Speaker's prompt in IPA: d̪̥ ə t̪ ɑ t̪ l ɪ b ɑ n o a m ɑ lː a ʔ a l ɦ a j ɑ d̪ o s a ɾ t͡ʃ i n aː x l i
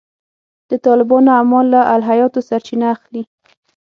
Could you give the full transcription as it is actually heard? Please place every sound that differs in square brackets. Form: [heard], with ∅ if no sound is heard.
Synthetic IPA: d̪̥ ə t̪ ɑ [∅] l ɪ b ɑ n o a m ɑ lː a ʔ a l ɦ a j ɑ [t̪] o s a ɾ t͡ʃ i n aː x l i